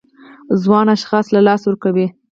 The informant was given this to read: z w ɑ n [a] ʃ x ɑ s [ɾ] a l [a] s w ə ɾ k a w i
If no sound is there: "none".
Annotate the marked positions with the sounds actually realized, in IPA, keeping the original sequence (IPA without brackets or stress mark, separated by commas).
a, l, ɑ